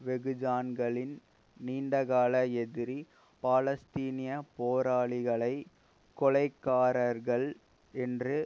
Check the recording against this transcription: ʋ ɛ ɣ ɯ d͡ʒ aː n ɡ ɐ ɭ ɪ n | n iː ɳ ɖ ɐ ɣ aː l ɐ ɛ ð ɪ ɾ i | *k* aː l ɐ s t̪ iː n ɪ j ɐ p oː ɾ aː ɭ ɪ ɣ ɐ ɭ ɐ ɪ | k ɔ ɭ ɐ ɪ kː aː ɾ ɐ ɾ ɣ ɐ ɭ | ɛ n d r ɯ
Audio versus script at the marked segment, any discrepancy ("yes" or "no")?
yes